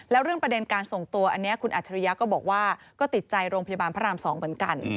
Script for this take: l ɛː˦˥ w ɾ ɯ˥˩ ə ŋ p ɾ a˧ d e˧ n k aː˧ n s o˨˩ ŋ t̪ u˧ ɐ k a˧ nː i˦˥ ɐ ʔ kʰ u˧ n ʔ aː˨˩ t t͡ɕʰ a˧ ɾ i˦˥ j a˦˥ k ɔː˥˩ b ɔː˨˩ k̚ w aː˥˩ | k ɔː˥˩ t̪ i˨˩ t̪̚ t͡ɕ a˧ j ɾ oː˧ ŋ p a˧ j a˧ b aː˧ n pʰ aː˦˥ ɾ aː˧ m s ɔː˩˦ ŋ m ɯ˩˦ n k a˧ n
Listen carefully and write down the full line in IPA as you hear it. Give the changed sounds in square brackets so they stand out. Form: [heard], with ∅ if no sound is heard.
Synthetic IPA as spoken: l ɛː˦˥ w ɾ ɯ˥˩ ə ŋ p ɾ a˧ d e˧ n k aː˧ n s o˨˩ ŋ t̪ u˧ ɐ [ʔ] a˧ nː i˦˥ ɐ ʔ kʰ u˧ n ʔ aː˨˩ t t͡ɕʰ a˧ ɾ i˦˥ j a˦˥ k ɔː˥˩ b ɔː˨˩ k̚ w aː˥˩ | k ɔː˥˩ t̪ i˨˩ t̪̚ t͡ɕ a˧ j ɾ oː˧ ŋ p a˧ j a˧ b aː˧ n pʰ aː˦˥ ɾ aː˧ m s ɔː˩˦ ŋ m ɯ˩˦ n k a˧ n